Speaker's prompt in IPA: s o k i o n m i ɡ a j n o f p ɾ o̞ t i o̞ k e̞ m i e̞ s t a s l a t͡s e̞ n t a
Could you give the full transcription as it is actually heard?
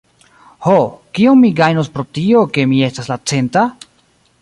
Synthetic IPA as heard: h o k i o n m i ɡ a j n o s p ɾ o̞ t i o̞ k e̞ m i e̞ s t a s l a t͡s e̞ n t a